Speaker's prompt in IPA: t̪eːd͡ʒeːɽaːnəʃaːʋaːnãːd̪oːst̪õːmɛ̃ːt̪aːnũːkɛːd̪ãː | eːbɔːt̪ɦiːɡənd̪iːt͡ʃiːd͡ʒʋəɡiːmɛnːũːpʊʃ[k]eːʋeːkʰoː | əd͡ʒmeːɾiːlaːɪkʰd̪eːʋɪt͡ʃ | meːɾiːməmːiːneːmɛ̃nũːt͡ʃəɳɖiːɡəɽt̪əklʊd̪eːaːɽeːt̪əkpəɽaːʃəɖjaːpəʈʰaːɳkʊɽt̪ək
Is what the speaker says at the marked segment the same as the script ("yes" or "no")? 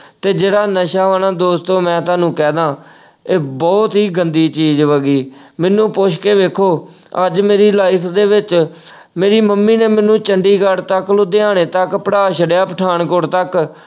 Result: yes